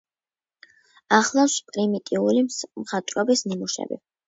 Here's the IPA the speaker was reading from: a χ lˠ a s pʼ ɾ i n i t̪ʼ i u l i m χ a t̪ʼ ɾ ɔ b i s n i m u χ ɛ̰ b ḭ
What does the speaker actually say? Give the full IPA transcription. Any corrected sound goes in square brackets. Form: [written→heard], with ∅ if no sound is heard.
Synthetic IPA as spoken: a χ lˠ a s pʼ ɾ i [n→m] i t̪ʼ i u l i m χ a t̪ʼ ɾ ɔ b i s n i m u [χ→ʃ] ɛ̰ b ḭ